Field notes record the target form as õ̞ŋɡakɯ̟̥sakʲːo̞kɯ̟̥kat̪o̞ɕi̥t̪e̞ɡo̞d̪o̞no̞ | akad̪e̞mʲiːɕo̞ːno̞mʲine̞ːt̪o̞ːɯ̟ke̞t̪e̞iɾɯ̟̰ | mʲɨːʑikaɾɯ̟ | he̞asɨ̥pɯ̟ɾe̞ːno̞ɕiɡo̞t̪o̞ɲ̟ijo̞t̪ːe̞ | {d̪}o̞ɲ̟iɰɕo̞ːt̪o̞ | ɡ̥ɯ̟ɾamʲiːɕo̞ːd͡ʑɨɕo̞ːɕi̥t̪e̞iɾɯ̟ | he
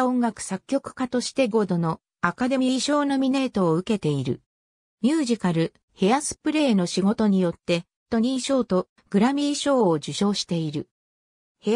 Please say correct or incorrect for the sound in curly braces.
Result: incorrect